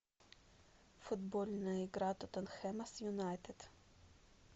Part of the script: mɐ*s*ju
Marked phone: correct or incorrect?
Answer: correct